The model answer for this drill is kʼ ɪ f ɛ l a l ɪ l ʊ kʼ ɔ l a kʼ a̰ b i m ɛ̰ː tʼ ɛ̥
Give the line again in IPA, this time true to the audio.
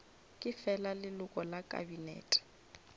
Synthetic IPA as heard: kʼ ɪ f ɛ l a l ɪ l ʊ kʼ ɔ l a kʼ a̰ b i n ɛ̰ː tʼ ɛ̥